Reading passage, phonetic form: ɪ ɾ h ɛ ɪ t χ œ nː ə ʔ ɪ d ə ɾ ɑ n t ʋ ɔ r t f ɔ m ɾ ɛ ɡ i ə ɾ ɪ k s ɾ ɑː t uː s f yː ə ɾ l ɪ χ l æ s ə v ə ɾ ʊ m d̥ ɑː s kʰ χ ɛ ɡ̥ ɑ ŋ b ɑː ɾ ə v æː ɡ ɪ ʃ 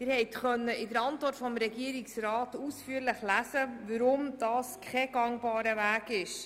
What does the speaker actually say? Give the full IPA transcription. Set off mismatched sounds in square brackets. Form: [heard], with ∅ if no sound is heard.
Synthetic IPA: ɪ ɾ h ɛ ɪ t χ œ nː ə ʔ ɪ d ə ɾ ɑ n t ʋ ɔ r t f ɔ m ɾ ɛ ɡ i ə ɾ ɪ k s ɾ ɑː t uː s f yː ə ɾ l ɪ χ l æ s ə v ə ɾ ʊ m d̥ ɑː s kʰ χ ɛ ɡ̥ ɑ ŋ b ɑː ɾ ə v æː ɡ ɪ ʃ